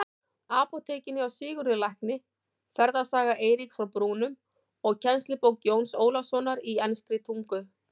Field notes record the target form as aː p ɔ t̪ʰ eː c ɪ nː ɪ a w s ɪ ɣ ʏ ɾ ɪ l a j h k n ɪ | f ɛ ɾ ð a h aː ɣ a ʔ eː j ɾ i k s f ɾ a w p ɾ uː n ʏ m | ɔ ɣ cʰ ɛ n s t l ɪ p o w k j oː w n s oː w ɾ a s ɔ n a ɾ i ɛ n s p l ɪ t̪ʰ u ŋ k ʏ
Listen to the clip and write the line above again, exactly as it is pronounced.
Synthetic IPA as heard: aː p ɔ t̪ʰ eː c ɪ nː ɪ a w s ɪː ɣ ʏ ɾ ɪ l a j h k n ɪ | f ɛ ɾ ð a s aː ɣ a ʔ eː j ɾ i k s f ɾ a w p ɾ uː n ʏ m | ɔ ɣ cʰ ɛ n s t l ɪ p o w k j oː w n s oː w l a s ɔ n a ɾ i ɛ n s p ɾ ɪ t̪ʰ u ŋ k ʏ